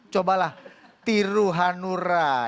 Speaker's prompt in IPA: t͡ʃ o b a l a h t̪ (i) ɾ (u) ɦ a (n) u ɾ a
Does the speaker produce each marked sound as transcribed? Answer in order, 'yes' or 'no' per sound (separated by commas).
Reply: yes, yes, yes